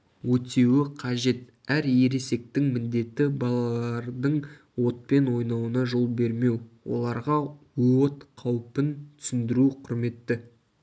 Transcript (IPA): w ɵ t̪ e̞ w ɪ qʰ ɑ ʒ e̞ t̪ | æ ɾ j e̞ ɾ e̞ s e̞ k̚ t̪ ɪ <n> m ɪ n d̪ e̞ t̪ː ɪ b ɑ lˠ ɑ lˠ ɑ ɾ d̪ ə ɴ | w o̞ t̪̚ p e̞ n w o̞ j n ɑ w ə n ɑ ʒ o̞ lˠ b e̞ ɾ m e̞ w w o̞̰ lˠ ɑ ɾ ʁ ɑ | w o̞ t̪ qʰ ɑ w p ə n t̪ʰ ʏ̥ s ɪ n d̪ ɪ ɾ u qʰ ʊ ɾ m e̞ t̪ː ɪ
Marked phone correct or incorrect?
incorrect